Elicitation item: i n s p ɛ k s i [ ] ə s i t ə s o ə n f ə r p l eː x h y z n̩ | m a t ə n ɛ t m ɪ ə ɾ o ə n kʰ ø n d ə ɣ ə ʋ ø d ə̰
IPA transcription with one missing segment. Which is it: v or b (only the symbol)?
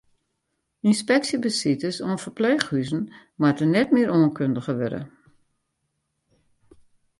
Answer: b